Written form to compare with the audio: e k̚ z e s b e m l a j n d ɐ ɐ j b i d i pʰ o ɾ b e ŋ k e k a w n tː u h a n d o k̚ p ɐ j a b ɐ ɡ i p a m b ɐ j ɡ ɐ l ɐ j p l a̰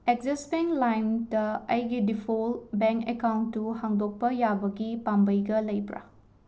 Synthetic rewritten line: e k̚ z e s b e ŋ l a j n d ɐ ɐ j ɡ i d i pʰ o l b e ŋ k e k a w n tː u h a ŋ d o k̚ p ɐ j a b ɐ ɡ i p a m b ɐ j ɡ ɐ l ɐ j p ɾ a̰